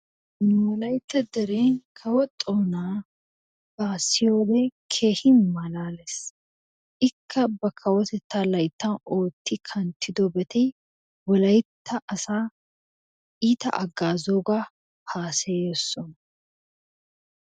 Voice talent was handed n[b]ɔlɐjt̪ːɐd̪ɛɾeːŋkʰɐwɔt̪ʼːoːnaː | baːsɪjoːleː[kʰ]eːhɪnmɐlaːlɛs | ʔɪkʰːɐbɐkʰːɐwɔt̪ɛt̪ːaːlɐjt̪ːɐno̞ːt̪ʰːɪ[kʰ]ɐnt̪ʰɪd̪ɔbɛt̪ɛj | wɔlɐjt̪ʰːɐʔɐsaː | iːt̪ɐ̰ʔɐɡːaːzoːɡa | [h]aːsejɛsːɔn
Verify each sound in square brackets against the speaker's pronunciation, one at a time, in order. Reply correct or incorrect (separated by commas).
incorrect, correct, correct, correct